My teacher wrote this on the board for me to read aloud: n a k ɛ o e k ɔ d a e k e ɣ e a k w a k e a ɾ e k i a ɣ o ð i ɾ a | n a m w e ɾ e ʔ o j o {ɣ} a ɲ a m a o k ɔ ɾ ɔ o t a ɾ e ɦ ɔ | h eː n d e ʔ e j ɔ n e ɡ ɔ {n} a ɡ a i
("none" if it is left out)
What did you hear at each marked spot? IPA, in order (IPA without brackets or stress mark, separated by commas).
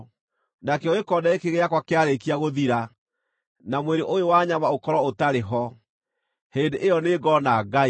w, n